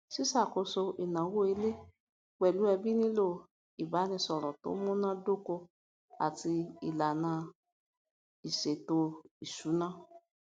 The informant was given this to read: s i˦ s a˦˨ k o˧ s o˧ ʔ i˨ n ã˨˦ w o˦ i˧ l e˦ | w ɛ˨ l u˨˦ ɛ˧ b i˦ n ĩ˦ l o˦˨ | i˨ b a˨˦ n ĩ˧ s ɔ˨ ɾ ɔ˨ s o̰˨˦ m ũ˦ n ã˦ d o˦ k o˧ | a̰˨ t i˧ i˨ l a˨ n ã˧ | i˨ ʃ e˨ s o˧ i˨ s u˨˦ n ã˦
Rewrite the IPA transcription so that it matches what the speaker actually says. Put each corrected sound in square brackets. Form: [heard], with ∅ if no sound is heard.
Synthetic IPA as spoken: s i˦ s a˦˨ k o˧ s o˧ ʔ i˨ n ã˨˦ w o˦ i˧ l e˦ | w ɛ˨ l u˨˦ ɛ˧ b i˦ n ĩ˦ l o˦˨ | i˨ b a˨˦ n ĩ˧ s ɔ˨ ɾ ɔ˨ [t] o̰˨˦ m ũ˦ n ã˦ d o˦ k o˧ | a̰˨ t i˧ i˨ l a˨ n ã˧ | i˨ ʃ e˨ [t] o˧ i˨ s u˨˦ n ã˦